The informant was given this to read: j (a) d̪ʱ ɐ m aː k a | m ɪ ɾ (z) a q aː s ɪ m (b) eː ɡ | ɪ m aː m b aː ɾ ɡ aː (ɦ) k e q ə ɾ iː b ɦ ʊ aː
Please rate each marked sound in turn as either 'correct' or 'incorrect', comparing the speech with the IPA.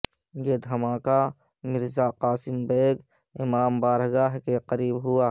incorrect, correct, correct, correct

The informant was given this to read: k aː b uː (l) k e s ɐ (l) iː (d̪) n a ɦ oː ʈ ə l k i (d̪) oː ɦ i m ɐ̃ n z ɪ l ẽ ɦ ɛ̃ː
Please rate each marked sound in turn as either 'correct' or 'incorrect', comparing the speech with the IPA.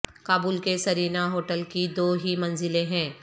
correct, incorrect, incorrect, correct

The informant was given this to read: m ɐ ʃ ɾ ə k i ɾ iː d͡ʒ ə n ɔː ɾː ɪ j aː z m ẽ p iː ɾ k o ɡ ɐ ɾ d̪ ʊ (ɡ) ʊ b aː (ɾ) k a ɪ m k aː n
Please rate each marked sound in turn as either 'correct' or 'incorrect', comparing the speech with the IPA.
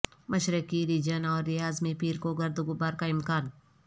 correct, correct

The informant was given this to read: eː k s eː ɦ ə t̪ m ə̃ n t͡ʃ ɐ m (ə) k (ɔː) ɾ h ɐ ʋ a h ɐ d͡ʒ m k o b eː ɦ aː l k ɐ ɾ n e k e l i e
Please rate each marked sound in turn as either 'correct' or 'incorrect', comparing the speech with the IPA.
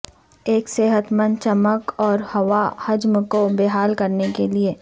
correct, correct

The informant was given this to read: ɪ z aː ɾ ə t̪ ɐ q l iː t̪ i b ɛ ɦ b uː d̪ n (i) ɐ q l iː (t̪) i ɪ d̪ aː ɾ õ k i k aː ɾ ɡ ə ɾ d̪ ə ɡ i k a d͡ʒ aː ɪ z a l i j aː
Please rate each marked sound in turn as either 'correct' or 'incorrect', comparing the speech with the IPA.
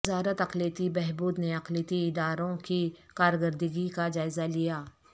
incorrect, correct

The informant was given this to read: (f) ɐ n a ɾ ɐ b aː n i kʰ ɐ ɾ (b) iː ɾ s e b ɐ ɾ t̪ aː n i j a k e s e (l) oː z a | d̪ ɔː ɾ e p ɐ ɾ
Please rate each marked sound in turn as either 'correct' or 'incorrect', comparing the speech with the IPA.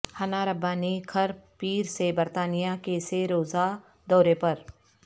incorrect, incorrect, incorrect

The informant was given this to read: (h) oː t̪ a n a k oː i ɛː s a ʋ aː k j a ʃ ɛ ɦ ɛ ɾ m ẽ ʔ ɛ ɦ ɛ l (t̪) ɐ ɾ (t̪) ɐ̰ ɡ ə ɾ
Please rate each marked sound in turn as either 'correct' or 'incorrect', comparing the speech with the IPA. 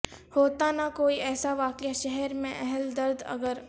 correct, incorrect, incorrect

